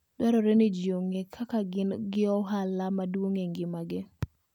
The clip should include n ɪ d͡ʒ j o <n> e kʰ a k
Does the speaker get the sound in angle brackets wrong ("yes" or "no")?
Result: yes